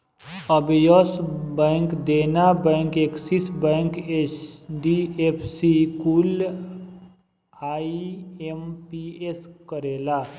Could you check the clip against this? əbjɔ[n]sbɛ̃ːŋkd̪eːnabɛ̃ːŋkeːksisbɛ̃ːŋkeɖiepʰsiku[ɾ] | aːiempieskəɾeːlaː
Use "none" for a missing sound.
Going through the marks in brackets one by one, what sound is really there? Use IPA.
none, l

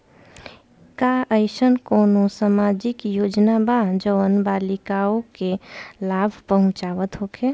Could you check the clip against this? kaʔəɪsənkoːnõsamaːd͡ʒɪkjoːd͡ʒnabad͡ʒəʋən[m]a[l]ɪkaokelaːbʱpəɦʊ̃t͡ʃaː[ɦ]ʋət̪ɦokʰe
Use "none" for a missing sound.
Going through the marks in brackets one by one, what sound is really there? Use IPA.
b, l, none

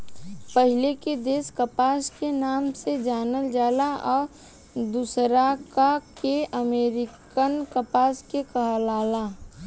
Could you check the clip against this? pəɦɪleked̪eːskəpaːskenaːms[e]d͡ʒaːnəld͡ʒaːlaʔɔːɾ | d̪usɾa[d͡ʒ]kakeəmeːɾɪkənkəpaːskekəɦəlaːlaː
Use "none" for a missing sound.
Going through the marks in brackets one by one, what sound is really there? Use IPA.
e, none

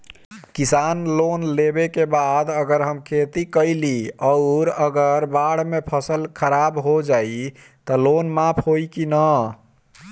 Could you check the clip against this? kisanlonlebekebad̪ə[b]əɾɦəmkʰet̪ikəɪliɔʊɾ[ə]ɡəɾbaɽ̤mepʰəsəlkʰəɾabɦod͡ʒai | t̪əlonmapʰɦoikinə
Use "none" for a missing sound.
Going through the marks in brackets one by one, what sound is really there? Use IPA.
ɡ, ə

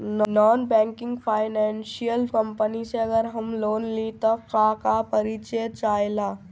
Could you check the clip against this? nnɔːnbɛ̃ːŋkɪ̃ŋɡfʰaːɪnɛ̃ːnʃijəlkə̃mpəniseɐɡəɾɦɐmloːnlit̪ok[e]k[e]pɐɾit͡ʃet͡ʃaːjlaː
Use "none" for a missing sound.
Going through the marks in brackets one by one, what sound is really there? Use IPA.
a, a

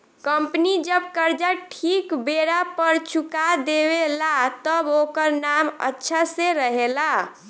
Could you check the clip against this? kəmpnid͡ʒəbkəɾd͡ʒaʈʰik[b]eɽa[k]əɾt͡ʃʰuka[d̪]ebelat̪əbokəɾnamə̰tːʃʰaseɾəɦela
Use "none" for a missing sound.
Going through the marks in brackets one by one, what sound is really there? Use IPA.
b, p, d̪

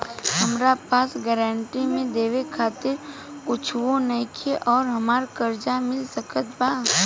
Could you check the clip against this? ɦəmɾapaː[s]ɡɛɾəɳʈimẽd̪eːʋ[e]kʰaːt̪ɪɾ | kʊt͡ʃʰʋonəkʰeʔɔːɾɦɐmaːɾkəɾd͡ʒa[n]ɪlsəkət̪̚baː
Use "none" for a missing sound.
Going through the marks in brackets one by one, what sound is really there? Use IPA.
s, e, m

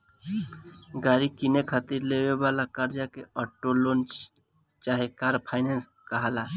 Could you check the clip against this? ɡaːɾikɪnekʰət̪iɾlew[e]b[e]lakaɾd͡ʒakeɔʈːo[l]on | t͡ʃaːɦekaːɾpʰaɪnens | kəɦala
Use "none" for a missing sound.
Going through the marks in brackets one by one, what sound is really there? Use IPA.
e, a, l

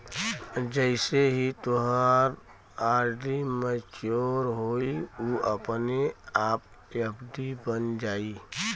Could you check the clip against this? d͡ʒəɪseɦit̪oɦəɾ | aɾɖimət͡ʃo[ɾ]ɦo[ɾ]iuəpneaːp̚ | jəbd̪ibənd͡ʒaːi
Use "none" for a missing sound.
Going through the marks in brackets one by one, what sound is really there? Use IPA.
ɾ, none

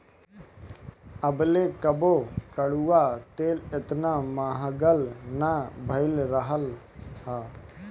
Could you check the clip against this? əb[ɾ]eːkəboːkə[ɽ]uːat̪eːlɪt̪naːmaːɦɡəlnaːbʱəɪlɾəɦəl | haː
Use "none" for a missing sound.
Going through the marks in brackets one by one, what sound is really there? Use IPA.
l, ɽ

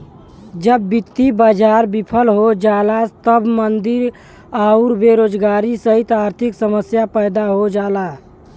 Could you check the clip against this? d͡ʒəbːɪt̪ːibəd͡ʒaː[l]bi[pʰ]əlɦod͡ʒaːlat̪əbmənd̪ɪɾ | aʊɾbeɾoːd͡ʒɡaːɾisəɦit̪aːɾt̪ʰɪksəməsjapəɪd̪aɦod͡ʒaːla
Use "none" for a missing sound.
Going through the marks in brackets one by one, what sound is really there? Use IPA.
ɾ, pʰ

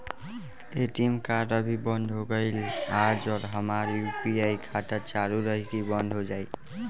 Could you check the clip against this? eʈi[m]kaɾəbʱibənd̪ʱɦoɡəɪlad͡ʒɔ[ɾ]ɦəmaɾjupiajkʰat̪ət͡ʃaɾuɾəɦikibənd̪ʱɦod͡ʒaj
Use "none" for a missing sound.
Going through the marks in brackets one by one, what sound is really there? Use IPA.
m, ɾ

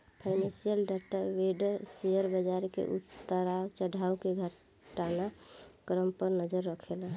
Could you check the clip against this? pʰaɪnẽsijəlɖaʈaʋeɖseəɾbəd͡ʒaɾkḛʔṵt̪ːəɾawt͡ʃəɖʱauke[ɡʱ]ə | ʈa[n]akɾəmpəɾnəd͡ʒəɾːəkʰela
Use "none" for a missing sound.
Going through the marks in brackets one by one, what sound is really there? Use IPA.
ɡʱ, n

